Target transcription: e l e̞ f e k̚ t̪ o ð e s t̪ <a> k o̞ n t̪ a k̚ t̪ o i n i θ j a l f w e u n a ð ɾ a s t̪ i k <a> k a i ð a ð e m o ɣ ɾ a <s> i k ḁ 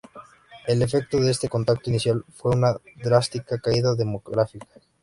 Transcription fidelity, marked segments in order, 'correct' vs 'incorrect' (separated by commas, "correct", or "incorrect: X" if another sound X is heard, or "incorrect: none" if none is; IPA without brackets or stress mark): incorrect: e, correct, incorrect: f